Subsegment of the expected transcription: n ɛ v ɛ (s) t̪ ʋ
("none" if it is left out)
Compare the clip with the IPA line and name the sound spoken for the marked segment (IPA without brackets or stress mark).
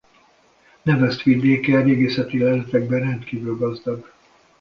s